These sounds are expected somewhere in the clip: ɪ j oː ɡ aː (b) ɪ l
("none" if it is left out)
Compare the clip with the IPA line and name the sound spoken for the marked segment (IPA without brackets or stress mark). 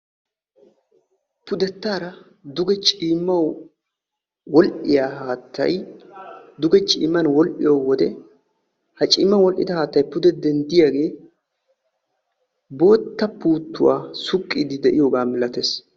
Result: m